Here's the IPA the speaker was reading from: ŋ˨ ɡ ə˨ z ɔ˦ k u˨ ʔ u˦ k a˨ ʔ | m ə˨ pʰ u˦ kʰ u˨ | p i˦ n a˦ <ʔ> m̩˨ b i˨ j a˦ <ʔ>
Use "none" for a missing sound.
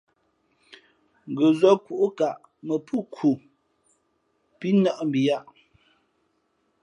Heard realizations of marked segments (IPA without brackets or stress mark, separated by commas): ʔ, ʔ